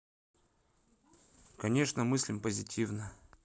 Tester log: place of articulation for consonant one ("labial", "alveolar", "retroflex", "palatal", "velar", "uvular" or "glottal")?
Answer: velar